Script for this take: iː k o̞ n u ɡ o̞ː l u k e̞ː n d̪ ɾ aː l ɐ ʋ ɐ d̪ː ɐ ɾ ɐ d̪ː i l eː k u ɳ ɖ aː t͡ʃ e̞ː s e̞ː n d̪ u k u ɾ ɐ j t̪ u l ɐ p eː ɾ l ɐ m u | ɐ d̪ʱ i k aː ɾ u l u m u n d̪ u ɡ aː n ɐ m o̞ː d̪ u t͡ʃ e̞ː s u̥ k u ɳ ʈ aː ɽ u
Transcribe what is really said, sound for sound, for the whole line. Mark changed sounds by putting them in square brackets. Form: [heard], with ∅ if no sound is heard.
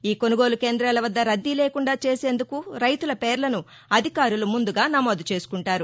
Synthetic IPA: iː k o̞ n u ɡ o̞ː l u k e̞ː n d̪ ɾ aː l ɐ ʋ ɐ d̪ː ɐ ɾ ɐ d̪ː i l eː k u ɳ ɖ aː t͡ʃ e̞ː s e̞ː n d̪ u k u ɾ ɐ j t̪ u l ɐ p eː ɾ l ɐ [n] u | ɐ d̪ʱ i k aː ɾ u l u m u n d̪ u ɡ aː n ɐ m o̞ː d̪ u t͡ʃ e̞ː s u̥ k u ɳ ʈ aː [ɾ] u